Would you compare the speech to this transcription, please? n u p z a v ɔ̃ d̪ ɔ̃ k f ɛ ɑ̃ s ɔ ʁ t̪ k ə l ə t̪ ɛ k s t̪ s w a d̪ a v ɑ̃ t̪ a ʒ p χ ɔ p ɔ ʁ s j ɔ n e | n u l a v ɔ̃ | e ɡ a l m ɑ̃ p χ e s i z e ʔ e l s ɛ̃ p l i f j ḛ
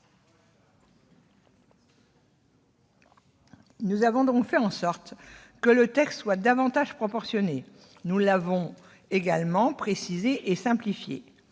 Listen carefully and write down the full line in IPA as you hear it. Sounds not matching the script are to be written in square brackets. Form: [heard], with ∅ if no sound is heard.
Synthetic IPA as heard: n u [∅] z a v ɔ̃ d̪ ɔ̃ k f ɛ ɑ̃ s ɔ ʁ t̪ k ə l ə t̪ ɛ k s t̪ s w a d̪ a v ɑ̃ t̪ a ʒ p χ ɔ p ɔ ʁ s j ɔ n e | n u l a v ɔ̃ | e ɡ a l m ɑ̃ p χ e s i z e ʔ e [∅] s ɛ̃ p l i f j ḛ